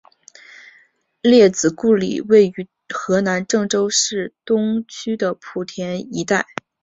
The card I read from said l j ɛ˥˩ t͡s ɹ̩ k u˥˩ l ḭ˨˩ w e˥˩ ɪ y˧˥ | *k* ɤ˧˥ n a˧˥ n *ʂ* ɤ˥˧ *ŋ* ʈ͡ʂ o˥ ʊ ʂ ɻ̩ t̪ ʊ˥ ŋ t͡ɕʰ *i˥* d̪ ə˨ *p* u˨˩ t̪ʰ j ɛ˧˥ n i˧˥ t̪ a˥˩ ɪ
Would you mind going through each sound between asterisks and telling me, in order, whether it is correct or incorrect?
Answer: incorrect: x, incorrect: ʈ͡ʂ, correct, incorrect: y˥, incorrect: pʰ

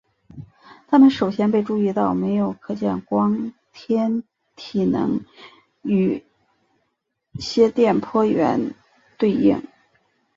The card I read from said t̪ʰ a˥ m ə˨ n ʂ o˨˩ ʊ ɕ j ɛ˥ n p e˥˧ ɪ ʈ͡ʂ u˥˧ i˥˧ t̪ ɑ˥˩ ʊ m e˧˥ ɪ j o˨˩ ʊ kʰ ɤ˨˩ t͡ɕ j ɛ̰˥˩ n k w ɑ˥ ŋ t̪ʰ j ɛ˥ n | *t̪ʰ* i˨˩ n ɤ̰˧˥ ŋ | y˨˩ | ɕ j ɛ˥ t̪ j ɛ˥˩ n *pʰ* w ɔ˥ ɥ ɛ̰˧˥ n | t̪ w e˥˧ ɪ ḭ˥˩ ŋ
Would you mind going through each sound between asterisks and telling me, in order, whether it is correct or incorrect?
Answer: correct, correct

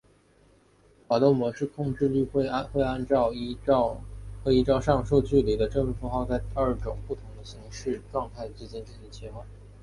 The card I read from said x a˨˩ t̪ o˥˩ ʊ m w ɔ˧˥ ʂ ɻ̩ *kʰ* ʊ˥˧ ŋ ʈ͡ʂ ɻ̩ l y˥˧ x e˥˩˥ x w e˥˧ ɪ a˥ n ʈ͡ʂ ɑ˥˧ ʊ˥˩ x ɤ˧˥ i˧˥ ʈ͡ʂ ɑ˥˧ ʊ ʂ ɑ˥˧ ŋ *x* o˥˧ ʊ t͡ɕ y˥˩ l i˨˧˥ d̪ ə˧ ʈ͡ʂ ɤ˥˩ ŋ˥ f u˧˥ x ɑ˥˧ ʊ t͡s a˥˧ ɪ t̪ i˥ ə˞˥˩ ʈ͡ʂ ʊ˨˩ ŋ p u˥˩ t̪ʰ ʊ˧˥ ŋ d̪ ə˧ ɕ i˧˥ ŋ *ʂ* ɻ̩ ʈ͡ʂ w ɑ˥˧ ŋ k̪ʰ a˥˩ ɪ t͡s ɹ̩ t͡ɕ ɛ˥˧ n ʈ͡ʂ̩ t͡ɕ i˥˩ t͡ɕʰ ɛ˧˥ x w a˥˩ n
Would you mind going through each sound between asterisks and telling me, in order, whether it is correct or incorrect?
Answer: correct, incorrect: ʂ, correct

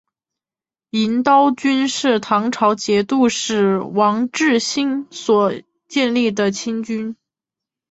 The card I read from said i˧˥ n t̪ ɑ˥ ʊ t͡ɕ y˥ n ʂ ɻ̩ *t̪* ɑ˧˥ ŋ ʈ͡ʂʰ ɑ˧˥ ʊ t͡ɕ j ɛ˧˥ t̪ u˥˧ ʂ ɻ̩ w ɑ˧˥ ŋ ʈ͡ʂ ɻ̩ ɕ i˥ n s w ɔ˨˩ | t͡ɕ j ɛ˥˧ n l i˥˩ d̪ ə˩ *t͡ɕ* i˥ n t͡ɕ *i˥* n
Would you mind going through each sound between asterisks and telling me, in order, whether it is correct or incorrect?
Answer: incorrect: t̪ʰ, incorrect: t͡ɕʰ, incorrect: y˥

